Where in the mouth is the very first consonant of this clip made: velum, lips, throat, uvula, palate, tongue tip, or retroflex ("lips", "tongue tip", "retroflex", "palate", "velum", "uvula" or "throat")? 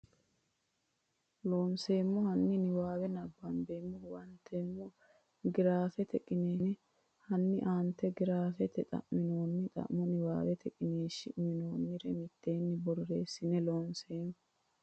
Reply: tongue tip